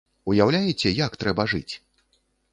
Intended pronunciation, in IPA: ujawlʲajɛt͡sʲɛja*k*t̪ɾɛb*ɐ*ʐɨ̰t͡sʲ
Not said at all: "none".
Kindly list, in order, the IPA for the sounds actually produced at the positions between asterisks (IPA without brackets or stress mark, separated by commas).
k, ɐ